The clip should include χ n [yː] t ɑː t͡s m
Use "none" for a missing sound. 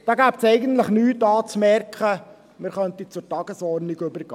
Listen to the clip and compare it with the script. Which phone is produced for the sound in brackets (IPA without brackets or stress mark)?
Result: yː